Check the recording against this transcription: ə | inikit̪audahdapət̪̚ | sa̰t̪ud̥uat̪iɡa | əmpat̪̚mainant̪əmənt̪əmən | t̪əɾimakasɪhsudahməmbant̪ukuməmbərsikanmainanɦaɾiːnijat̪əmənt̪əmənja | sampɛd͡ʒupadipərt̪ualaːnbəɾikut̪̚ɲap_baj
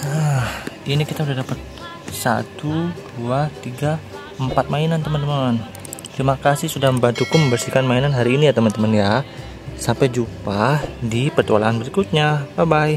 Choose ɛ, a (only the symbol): a